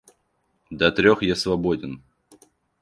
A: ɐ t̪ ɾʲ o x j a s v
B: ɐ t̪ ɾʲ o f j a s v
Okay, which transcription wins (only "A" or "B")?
A